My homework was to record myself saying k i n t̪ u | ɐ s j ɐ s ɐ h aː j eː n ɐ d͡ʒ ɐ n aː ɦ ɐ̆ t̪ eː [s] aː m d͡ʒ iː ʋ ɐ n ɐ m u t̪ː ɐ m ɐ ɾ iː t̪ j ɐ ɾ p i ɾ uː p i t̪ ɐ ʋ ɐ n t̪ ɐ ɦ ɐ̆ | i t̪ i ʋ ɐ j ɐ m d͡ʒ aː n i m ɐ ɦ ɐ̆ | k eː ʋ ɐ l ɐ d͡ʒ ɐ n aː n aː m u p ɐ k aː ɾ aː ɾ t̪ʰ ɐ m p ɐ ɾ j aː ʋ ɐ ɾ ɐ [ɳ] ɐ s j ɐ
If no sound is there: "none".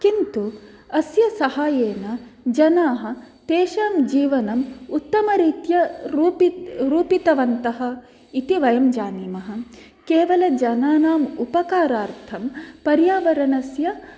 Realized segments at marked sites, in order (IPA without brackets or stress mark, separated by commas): ʃ, n